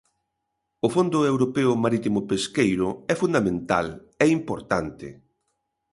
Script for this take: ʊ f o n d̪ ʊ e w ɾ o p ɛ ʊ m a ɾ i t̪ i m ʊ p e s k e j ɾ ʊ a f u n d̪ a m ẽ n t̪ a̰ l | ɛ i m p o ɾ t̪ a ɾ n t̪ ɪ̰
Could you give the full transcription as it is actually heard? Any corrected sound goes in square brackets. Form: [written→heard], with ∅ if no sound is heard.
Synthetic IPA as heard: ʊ f o n d̪ ʊ e w ɾ o p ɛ ʊ m a ɾ i t̪ i m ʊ p e s k e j ɾ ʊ [a→ɛ] f u n d̪ a m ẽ n t̪ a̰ l | ɛ i m p o ɾ t̪ a [ɾ→∅] n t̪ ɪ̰